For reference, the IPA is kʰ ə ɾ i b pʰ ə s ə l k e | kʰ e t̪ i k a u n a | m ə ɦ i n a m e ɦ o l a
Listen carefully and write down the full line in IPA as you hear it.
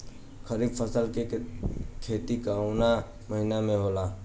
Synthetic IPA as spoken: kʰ ə ɾ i b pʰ ə s ə l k e | kʰ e t̪ i k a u n a | m ə ɦ i n a m e ɦ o l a